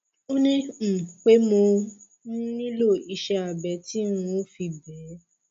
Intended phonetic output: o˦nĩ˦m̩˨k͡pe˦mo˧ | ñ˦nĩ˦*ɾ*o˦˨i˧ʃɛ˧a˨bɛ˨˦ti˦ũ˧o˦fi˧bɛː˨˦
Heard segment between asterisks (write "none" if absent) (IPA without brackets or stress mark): l